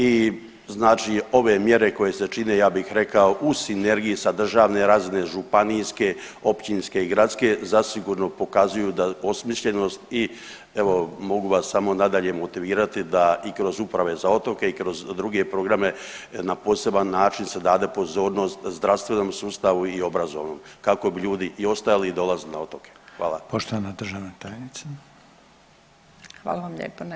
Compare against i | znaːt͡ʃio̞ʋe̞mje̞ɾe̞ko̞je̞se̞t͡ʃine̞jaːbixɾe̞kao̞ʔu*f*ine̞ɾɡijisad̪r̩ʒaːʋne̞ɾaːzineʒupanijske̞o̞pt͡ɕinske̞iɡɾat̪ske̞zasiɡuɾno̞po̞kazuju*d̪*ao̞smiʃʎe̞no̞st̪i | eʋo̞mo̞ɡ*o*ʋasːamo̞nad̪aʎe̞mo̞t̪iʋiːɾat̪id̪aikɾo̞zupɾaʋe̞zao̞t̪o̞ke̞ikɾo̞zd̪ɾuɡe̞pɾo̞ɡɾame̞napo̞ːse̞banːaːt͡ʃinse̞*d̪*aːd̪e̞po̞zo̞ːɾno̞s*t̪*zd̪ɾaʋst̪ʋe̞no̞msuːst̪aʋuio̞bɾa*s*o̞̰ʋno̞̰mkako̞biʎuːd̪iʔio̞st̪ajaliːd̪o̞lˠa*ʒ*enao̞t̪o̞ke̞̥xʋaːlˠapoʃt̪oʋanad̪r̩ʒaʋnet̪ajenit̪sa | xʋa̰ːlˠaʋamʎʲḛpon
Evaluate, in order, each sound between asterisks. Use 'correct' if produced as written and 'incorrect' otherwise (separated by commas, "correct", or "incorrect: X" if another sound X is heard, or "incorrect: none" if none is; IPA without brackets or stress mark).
incorrect: s, correct, incorrect: u, correct, correct, incorrect: z, incorrect: z